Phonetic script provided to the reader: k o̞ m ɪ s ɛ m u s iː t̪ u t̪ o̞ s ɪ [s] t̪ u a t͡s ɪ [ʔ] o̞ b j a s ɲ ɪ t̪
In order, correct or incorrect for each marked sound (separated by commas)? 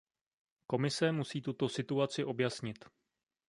incorrect, correct